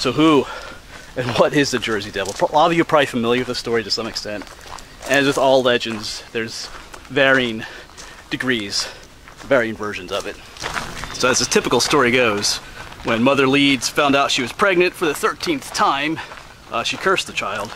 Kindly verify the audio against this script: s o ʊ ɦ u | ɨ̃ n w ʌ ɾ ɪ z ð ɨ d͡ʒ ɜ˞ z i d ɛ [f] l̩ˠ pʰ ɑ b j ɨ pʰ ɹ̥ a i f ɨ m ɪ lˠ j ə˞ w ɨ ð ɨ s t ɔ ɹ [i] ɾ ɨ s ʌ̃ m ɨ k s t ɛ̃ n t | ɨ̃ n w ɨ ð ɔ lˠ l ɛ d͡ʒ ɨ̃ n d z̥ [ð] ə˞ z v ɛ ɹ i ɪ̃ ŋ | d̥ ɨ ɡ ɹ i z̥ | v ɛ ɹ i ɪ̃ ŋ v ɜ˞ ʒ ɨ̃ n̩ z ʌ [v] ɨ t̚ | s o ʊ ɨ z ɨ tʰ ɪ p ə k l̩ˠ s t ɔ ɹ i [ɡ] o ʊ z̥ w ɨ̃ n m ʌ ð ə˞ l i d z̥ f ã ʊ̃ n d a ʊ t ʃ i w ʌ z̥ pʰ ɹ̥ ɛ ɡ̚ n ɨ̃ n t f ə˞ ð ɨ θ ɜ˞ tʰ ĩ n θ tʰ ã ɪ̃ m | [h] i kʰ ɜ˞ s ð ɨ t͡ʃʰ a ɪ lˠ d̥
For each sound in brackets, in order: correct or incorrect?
incorrect, correct, correct, correct, correct, incorrect

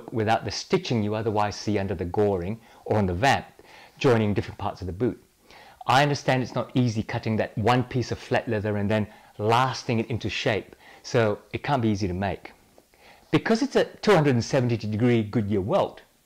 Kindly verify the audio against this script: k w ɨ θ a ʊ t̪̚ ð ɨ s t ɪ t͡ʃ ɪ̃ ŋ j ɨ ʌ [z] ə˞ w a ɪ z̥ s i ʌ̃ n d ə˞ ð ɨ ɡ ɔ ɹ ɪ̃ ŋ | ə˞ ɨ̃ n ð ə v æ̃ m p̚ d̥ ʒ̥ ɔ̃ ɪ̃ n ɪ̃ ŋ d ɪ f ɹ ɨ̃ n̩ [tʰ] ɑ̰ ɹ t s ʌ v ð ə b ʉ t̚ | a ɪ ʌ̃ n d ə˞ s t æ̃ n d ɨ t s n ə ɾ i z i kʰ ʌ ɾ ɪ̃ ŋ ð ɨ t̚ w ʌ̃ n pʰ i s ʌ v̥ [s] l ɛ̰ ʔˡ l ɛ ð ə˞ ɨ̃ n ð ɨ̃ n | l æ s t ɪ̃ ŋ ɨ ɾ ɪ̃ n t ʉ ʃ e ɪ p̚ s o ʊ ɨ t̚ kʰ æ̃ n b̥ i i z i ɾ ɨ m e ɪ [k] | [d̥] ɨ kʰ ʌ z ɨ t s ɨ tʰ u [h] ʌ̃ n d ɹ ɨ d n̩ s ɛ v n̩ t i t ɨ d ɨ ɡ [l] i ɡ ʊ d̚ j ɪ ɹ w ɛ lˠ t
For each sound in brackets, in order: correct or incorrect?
incorrect, incorrect, incorrect, correct, incorrect, correct, incorrect

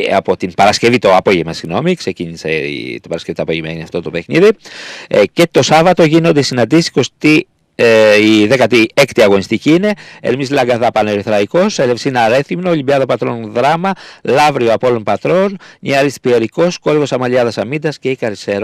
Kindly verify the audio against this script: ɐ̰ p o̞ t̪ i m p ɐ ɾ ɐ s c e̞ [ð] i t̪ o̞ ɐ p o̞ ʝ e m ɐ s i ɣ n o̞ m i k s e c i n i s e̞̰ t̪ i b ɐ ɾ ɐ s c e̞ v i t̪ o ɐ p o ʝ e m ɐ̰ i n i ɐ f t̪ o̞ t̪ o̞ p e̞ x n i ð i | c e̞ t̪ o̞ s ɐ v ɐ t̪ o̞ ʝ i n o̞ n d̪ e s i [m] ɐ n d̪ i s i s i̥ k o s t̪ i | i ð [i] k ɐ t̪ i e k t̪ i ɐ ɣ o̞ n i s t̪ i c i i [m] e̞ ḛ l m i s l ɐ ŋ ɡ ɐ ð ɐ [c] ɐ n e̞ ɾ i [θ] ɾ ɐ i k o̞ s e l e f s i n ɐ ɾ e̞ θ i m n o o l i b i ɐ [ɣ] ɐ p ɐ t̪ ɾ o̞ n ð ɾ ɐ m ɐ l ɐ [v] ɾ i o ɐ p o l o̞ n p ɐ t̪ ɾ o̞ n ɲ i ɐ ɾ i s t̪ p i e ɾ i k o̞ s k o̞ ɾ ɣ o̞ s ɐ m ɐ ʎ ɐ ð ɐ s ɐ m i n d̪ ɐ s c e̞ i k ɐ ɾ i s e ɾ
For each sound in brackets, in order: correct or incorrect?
incorrect, incorrect, incorrect, incorrect, incorrect, correct, incorrect, correct

